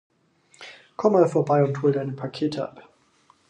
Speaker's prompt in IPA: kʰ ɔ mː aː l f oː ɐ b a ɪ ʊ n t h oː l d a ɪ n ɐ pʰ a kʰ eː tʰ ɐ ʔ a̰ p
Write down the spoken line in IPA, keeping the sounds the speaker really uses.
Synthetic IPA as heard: kʰ ɔ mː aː l f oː ɐ b a ɪ ʊ n t h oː l d a ɪ n ə pʰ a kʰ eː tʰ ə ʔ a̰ p